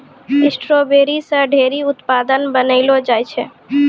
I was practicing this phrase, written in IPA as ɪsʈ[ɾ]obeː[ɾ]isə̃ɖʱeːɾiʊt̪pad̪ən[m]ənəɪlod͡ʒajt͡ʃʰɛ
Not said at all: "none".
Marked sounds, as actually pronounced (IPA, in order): ɾ, ɾ, b

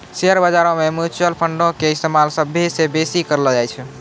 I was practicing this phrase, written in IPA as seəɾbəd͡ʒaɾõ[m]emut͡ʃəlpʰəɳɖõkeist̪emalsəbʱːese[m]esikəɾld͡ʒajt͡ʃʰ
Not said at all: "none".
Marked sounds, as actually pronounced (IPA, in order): m, b

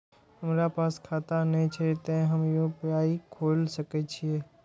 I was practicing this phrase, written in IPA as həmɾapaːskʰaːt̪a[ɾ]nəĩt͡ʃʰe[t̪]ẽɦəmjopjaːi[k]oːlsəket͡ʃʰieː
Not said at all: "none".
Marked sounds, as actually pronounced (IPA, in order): none, t̪, kʰ

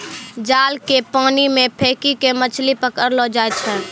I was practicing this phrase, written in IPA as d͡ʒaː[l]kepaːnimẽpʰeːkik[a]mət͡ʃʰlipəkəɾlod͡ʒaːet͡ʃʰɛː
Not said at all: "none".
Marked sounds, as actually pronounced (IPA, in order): l, e

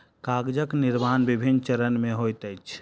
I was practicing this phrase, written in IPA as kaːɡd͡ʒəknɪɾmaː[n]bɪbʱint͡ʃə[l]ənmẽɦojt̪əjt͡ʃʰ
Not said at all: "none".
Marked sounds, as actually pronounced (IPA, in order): n, ɾ

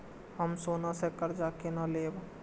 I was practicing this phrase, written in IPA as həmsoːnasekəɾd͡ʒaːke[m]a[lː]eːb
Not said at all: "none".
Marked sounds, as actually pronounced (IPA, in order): n, l

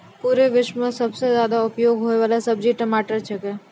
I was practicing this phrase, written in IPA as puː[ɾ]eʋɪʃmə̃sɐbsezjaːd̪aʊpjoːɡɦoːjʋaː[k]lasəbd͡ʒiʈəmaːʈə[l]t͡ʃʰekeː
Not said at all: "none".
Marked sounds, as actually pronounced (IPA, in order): ɾ, none, ɾ

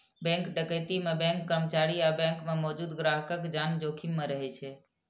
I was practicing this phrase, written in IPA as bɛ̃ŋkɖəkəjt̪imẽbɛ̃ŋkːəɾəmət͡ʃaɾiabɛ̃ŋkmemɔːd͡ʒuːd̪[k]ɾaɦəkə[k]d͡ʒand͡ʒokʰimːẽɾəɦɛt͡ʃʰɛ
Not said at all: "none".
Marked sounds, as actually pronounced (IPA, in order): ɡ, k

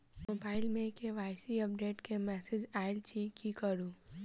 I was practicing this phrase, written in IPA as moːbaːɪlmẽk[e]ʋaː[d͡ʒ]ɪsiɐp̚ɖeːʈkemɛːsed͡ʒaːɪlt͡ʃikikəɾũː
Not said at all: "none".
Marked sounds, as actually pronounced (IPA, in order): e, none

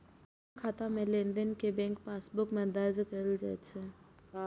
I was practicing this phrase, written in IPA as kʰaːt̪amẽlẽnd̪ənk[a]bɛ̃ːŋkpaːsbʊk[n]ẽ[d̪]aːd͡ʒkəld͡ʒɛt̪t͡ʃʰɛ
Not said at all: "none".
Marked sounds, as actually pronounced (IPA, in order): e, m, d̪

